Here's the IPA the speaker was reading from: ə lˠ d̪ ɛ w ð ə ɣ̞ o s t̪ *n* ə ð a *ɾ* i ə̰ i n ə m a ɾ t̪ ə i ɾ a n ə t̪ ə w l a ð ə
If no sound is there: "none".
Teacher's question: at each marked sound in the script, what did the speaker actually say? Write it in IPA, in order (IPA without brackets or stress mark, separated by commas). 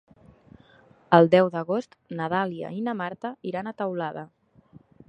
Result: n, l